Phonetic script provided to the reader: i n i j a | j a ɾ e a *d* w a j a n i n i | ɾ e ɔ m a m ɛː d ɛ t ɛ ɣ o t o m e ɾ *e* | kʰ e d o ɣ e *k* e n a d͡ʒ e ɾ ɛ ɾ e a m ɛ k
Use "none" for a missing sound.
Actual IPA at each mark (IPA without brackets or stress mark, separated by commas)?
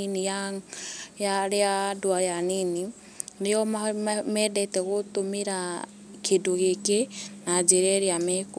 d, a, k